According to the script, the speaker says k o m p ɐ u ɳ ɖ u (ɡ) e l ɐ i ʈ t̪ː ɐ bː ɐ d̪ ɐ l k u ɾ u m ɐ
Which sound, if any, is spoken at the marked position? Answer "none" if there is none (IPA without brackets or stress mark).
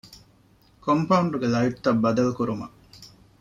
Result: ɡ